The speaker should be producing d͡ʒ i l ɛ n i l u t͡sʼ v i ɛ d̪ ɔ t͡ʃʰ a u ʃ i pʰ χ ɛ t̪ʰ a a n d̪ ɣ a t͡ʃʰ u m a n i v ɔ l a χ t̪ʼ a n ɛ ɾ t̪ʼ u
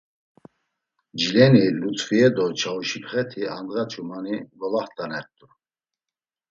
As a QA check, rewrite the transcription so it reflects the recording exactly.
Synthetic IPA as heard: d͡ʒ i l ɛ n i l u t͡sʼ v i ɛ d̪ ɔ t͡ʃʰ a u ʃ i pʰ χ ɛ t̪ʰ i a n d̪ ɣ a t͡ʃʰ u m a n i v ɔ l a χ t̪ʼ a n ɛ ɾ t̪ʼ u